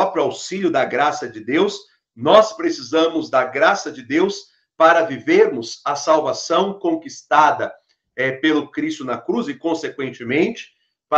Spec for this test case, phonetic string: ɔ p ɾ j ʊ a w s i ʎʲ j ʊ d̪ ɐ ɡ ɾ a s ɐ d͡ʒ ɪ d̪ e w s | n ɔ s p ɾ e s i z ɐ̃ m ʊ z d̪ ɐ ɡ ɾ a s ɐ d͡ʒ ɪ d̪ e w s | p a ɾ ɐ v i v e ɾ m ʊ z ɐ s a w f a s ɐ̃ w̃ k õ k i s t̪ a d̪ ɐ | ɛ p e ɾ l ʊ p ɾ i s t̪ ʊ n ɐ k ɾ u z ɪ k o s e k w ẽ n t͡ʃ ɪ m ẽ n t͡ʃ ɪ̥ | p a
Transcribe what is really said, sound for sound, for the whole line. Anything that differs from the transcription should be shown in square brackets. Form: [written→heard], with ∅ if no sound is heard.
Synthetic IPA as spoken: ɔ p ɾ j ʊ a w s i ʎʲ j ʊ d̪ ɐ ɡ ɾ a s ɐ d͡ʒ ɪ d̪ e w s | n ɔ s p ɾ e s i z ɐ̃ m ʊ z d̪ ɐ ɡ ɾ a s ɐ d͡ʒ ɪ d̪ e w s | p a ɾ ɐ v i v e ɾ m ʊ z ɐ s a w [f→v] a s ɐ̃ w̃ k õ k i s t̪ a d̪ ɐ | ɛ p e [ɾ→∅] l ʊ [p→k] ɾ i s t̪ ʊ n ɐ k ɾ u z ɪ k [o→õ] s e k w ẽ n t͡ʃ ɪ m ẽ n t͡ʃ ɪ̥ | p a